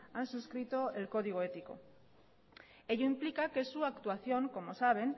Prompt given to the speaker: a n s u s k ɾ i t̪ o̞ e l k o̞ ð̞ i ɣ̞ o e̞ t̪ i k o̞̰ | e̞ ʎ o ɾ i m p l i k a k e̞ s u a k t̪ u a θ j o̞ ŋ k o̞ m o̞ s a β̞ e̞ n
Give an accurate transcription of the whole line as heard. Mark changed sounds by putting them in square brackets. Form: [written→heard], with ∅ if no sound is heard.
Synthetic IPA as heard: a n s u s k ɾ i t̪ o̞ e l k o̞ ð̞ i ɣ̞ o e̞ t̪ i k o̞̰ | e̞ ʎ o [ɾ→∅] i m p l i k a k e̞ s u a k t̪ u a θ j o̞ ŋ k o̞ m o̞ s a β̞ e̞ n

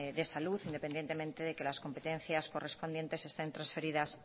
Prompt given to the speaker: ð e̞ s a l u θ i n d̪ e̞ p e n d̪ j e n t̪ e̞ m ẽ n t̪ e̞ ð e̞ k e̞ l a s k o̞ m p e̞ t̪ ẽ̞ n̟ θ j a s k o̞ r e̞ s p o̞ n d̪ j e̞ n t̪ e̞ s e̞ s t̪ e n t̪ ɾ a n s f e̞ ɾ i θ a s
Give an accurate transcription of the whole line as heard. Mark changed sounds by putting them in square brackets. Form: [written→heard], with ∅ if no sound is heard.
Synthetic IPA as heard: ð e̞ s a l u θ i n d̪ e̞ p e n d̪ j e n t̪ e̞ m ẽ n t̪ e̞ ð e̞ k e̞ l a s k o̞ m p e̞ t̪ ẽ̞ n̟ θ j a s k o̞ r e̞ s p o̞ n d̪ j e̞ n t̪ e̞ s e̞ s t̪ e n t̪ ɾ a n s f e̞ ɾ i [θ→ð] a s

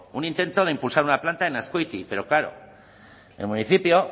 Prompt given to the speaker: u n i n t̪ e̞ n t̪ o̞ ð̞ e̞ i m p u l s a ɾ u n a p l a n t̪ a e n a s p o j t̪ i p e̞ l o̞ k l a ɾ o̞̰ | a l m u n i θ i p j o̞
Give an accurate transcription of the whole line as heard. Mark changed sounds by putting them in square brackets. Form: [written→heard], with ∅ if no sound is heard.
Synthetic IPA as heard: u n i n t̪ e̞ n t̪ o̞ ð̞ e̞ i m p u l s a ɾ u n a p l a n t̪ a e n a s [p→k] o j t̪ i p e̞ [l→ɾ] o̞ k l a ɾ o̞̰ | [a→e] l m u n i θ i p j o̞

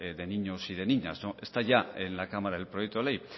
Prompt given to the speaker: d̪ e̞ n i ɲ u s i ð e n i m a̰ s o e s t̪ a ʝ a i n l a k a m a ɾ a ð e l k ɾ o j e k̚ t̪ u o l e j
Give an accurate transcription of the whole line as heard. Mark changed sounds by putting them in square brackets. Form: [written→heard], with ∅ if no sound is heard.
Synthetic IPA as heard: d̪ e̞ n i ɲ [u→o] s i ð e n i [m→ɲ] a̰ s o e s t̪ a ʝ a [i→e] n l a k a m a ɾ a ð e l [k→p] ɾ o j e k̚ t̪ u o l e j

